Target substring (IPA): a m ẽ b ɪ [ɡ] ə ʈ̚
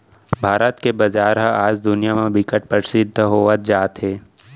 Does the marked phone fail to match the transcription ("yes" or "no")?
yes